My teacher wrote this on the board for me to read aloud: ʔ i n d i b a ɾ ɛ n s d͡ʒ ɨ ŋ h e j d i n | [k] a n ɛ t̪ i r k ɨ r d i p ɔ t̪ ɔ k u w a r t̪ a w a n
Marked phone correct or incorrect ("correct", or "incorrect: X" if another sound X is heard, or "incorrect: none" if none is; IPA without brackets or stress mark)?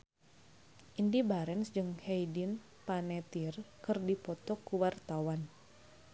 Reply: incorrect: p